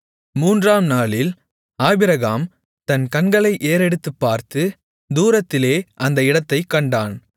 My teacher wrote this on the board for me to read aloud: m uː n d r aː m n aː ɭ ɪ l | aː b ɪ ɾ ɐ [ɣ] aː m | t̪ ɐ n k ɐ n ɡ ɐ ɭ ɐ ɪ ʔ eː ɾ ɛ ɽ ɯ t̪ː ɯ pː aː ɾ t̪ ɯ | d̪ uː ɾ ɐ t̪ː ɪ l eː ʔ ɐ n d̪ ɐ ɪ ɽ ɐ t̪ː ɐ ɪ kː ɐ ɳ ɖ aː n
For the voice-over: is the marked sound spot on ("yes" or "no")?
yes